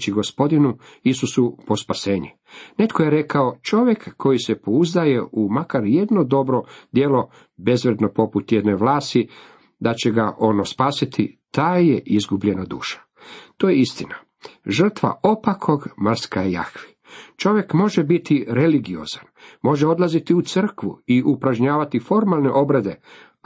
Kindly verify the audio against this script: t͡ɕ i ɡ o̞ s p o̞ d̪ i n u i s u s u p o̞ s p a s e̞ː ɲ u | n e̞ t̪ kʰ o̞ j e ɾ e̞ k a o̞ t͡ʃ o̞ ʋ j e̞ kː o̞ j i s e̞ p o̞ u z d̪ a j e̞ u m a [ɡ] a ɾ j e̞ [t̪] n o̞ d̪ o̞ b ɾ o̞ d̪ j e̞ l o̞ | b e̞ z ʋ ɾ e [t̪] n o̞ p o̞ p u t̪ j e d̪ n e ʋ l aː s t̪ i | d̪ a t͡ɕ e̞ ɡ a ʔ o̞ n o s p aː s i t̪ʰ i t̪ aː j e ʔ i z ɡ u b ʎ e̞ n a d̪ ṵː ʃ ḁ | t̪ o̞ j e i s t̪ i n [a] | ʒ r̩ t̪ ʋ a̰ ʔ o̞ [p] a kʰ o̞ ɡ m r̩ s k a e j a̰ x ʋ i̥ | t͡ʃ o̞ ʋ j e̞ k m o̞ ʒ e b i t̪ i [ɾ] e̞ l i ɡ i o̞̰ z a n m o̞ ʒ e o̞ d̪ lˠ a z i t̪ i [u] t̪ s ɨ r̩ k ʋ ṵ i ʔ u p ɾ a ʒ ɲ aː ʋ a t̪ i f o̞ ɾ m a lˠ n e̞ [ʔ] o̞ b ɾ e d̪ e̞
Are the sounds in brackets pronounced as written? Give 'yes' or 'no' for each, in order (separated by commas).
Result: no, no, no, yes, yes, yes, yes, yes